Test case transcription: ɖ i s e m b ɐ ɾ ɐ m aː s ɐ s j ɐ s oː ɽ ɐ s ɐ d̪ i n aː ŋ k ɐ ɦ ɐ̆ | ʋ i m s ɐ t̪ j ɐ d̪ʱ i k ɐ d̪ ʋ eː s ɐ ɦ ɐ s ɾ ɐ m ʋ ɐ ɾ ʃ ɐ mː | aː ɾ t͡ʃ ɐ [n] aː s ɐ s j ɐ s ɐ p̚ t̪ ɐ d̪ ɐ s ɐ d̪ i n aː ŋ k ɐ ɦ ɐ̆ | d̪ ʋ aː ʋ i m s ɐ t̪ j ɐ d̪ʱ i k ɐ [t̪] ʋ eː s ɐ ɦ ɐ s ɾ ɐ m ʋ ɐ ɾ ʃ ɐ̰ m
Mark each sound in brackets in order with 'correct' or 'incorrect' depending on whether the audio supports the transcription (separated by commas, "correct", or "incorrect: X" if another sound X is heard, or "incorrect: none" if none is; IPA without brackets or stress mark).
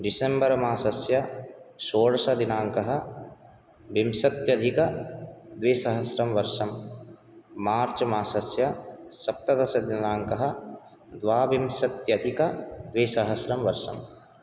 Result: incorrect: m, incorrect: d̪